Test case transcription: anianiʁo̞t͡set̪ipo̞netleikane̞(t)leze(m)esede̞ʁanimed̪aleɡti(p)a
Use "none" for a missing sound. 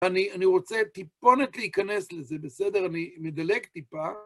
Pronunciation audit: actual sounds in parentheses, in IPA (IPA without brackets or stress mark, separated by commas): s, b, p